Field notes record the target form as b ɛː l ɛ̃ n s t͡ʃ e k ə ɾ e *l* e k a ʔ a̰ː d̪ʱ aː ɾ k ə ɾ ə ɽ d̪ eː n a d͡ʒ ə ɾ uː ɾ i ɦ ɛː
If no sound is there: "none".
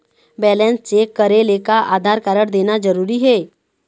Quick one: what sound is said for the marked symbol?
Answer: l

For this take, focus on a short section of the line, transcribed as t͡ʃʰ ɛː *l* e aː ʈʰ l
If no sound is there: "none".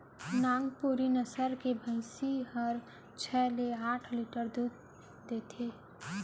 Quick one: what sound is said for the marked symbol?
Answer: l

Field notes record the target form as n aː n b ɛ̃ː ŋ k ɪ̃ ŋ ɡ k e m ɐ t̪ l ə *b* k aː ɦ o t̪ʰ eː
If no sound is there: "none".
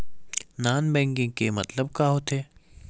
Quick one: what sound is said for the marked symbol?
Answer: b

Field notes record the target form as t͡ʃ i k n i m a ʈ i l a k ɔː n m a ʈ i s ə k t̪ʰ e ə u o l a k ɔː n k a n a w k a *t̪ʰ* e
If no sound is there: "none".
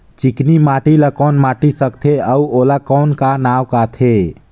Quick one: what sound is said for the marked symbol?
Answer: t̪ʰ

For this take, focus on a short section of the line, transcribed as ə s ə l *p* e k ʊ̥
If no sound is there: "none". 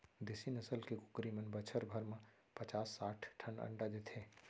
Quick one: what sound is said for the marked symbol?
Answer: k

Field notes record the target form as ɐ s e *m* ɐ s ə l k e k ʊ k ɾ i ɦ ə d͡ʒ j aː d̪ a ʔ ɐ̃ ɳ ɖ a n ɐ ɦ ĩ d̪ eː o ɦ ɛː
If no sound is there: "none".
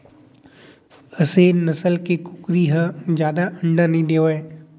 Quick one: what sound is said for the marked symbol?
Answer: n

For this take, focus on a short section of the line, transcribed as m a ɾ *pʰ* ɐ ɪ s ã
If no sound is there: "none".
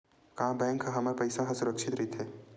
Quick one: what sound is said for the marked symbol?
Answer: p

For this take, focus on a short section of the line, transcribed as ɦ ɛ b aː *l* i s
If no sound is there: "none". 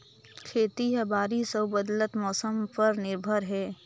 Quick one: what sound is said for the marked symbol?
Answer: ɾ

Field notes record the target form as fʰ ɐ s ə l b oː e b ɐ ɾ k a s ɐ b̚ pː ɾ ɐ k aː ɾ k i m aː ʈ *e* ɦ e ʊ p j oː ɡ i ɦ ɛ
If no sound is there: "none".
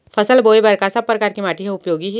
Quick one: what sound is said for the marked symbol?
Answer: i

